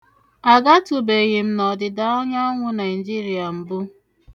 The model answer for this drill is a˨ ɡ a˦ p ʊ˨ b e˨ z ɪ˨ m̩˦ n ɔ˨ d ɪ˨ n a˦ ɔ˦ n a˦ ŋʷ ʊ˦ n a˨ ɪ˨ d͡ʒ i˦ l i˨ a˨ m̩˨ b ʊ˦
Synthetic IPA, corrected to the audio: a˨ ɡ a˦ t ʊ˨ b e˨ ɣ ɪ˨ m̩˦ n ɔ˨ d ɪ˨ d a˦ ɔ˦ ɲ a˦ ŋʷ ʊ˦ n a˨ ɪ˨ d͡ʒ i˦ ɾ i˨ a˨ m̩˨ b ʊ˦